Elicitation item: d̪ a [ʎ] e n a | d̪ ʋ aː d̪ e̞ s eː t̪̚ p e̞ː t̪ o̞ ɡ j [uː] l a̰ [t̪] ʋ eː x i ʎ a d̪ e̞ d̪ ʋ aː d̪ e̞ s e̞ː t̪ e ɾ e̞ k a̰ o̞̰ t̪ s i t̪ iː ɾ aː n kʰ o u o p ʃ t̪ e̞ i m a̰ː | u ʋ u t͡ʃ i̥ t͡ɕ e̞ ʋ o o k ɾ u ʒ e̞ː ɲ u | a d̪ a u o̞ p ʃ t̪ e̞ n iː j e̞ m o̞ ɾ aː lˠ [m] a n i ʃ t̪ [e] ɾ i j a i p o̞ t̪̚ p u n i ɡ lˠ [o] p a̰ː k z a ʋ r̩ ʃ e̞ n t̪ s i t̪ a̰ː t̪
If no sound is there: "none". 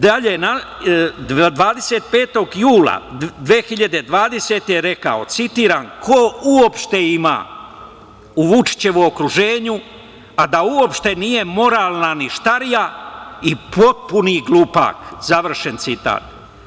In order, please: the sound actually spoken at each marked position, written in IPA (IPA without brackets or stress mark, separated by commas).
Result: ʎ, uː, d̪, n, a, u